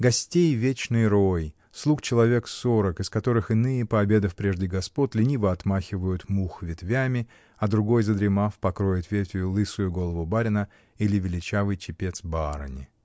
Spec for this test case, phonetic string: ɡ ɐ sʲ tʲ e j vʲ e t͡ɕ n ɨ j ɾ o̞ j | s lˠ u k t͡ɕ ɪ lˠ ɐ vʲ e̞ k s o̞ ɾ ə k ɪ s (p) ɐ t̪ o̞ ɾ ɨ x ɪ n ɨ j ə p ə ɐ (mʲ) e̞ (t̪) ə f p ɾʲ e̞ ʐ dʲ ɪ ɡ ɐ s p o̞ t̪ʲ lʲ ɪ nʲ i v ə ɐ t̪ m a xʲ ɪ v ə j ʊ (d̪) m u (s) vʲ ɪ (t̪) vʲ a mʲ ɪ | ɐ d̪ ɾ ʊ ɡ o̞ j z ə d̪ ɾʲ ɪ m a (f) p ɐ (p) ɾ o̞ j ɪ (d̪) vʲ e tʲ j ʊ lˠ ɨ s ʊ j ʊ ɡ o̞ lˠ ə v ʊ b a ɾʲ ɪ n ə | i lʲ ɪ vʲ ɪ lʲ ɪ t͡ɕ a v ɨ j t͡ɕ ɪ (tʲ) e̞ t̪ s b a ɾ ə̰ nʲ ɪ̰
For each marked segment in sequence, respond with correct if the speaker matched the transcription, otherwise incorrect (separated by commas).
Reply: incorrect, incorrect, incorrect, incorrect, incorrect, correct, correct, incorrect, incorrect, incorrect